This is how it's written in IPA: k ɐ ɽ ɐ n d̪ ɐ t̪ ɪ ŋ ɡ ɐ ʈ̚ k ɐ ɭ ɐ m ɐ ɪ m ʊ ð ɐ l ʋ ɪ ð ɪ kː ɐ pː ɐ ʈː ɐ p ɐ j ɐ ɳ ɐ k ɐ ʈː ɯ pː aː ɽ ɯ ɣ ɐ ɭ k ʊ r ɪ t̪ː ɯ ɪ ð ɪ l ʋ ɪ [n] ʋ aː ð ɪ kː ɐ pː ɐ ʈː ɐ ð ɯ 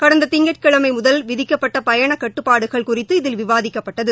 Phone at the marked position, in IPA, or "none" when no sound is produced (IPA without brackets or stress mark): none